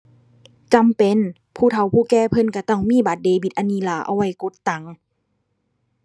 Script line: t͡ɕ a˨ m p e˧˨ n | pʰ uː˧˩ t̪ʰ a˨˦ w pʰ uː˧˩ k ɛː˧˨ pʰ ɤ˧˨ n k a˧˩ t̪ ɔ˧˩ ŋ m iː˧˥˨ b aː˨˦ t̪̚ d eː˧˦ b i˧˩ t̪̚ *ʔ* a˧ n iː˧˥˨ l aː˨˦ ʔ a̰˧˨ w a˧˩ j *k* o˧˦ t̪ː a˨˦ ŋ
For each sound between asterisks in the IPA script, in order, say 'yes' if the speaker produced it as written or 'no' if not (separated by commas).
yes, yes